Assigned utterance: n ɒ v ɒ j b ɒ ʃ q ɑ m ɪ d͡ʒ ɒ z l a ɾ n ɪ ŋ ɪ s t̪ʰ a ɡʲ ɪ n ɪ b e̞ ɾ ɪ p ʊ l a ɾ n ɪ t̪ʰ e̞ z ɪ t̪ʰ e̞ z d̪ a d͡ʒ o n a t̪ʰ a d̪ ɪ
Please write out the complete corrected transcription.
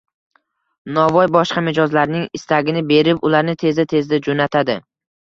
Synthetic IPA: n ɒ v ɒ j b ɒ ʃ q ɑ m ɪ d͡ʒ ɒ z l a ɾ n ɪ ŋ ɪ s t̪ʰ a ɡʲ ɪ n ɪ b e̞ ɾ ɪ p ʊ l a ɾ n ɪ t̪ʰ e̞ z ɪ t̪ʰ e̞ z d̪ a d͡ʒ o n a t̪ʰ a d̪ ɪ